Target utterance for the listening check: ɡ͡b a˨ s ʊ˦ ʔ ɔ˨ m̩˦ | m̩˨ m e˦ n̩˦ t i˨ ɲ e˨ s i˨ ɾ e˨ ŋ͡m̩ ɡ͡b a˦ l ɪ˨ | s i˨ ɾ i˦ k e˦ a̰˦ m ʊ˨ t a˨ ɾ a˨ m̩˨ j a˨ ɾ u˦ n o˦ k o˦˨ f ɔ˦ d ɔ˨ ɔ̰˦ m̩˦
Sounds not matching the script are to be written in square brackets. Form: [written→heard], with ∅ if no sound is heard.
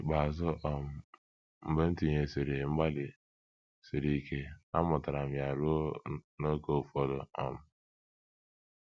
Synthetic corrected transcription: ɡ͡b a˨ [s→z] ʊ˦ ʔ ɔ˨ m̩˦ | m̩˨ [m→b] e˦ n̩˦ t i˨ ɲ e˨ s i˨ ɾ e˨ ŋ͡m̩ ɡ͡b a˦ l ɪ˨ | s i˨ ɾ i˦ k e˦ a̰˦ m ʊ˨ t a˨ ɾ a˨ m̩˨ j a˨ ɾ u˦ n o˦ k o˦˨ f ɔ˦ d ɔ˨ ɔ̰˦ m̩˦